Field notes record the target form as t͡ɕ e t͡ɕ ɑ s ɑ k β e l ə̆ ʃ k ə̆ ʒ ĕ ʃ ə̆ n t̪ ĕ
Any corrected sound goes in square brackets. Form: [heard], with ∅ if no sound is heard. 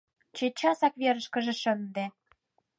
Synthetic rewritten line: t͡ɕ e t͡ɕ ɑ s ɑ k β e [ɾ] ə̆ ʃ k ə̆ ʒ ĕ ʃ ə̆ n [d̪] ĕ